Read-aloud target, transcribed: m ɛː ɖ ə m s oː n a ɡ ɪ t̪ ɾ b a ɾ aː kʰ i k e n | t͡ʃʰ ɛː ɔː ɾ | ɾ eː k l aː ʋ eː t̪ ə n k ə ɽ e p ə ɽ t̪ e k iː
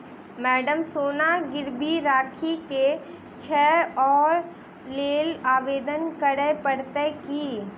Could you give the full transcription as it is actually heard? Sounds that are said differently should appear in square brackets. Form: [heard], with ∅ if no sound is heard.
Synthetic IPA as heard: m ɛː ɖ ə m s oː n a ɡ ɪ [∅] ɾ b [i] ɾ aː kʰ i k e [∅] | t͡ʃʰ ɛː ɔː ɾ | [l] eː [∅] l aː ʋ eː [d̪] ə n k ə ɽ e p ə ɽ t̪ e k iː